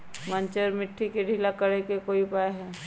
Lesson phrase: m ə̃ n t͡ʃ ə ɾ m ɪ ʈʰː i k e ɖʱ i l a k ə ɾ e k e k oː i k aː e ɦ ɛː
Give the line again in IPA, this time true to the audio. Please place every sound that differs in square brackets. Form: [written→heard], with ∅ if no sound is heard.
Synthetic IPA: m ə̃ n t͡ʃ ə ɾ m ɪ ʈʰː i k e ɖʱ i l a k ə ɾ e k e k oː i [k→p] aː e ɦ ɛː